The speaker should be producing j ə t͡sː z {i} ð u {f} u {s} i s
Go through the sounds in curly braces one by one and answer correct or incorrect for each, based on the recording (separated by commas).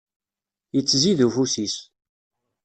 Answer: correct, correct, correct